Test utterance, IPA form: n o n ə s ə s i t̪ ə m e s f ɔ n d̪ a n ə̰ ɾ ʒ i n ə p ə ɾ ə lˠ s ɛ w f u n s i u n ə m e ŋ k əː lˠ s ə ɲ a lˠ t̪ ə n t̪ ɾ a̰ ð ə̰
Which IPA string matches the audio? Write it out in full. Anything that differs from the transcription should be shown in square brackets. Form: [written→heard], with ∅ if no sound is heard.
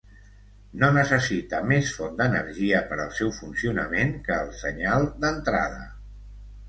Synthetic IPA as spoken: n o n ə s ə s i t̪ ə m e s f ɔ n d̪ [a→ə] n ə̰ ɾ ʒ i [n→∅] ə p ə ɾ ə lˠ s ɛ w f u n s i u n ə m e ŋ k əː lˠ s ə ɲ a lˠ [t̪→d̪] ə n t̪ ɾ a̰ ð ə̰